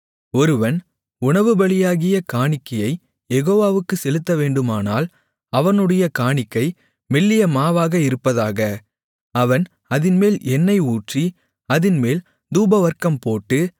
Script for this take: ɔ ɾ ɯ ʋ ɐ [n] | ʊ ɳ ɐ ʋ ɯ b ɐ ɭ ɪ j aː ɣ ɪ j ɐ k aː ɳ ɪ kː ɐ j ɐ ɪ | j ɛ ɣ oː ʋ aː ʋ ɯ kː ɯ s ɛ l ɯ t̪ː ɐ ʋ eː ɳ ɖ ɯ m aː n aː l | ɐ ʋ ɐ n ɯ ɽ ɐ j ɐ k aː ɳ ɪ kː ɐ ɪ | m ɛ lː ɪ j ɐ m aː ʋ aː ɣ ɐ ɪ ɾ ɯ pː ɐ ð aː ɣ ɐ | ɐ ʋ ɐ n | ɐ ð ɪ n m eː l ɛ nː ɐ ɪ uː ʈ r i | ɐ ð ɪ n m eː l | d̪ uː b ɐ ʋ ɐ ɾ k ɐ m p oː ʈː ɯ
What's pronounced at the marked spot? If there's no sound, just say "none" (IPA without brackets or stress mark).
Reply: n